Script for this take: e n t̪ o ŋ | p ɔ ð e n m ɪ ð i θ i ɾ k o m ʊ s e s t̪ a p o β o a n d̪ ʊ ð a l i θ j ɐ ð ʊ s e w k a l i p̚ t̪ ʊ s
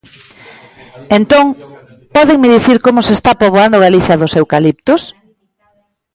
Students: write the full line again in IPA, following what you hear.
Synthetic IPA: e n t̪ o ŋ | p ɔ ð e ŋ m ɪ ð i θ i ɾ k o m ʊ s e s t̪ a p o β o a n d̪ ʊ ɣ a l i θ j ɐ ð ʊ s e w k a l i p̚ t̪ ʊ s